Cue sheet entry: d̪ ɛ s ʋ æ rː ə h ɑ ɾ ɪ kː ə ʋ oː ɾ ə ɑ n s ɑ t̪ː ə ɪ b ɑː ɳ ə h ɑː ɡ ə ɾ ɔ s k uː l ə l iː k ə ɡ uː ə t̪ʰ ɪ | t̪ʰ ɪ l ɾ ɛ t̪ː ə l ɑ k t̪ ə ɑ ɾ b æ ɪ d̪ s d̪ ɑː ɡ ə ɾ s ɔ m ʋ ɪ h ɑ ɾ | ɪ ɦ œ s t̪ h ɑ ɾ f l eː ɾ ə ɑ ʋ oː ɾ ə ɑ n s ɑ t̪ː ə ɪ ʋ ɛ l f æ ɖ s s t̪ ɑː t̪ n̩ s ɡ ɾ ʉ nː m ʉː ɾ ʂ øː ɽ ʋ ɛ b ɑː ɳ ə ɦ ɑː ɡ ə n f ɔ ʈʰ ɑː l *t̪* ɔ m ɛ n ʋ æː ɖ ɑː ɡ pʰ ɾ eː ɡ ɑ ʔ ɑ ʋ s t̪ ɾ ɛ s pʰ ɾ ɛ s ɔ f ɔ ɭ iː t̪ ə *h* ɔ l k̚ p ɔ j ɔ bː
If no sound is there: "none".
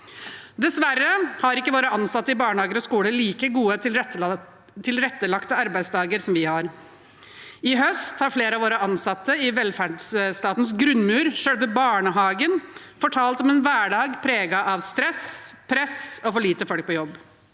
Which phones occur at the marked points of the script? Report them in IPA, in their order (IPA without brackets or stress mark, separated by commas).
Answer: t̪, f